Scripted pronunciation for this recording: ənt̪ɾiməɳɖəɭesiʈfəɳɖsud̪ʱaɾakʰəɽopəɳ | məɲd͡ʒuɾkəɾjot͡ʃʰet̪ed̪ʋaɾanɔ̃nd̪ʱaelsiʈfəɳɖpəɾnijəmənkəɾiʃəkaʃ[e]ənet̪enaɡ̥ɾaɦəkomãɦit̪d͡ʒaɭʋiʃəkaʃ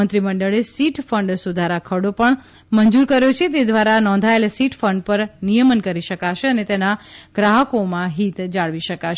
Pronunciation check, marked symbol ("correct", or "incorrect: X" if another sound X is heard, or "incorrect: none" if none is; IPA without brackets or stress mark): correct